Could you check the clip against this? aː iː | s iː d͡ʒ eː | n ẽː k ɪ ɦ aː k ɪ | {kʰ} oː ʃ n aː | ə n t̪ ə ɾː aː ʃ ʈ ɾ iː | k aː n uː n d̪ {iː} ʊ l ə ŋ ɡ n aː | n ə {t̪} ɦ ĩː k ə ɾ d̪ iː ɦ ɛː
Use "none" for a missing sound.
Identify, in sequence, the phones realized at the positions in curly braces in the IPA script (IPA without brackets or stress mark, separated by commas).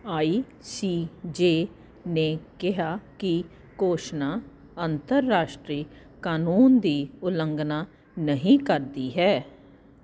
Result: k, iː, none